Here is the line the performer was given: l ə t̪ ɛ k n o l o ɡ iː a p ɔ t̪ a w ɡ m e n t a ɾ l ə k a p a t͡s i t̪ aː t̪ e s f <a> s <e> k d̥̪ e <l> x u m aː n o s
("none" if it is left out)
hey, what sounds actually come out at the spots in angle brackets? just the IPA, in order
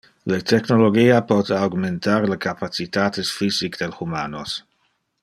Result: i, i, l

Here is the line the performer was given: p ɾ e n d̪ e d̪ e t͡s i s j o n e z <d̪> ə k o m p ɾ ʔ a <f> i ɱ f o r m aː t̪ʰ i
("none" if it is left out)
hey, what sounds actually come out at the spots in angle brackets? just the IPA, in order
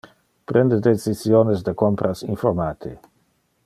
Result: d̪, s

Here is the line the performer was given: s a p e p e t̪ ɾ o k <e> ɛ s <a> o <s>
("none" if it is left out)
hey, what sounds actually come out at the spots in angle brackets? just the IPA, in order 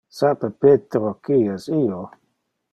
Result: i, i, none

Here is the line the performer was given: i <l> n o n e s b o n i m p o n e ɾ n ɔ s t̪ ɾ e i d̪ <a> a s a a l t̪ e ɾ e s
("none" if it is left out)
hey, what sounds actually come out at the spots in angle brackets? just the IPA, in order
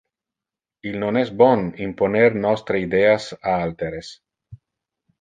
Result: l, e

